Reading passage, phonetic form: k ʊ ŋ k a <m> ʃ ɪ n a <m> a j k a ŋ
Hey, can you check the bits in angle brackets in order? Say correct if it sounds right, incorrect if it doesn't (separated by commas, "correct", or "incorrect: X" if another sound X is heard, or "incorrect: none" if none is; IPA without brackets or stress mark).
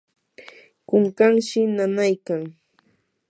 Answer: incorrect: ŋ, incorrect: n